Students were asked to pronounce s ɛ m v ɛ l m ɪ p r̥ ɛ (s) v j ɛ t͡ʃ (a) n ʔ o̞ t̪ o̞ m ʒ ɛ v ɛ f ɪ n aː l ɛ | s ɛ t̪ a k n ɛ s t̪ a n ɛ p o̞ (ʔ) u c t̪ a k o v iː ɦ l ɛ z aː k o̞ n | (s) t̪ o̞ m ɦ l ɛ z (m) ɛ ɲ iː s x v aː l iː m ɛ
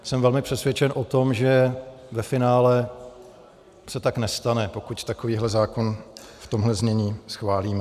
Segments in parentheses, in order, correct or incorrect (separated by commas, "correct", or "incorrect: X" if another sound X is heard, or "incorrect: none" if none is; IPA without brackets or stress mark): correct, incorrect: ɛ, incorrect: k, incorrect: f, incorrect: ɲ